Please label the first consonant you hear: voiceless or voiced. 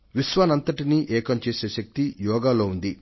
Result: voiced